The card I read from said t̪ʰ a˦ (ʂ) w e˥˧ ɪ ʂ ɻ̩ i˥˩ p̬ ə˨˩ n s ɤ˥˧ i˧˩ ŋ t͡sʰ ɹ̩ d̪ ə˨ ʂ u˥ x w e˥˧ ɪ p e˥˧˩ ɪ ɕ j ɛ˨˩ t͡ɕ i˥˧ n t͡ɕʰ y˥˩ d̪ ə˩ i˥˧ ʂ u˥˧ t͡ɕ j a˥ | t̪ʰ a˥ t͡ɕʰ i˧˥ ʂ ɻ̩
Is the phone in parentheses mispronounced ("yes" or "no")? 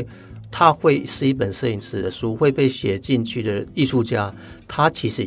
yes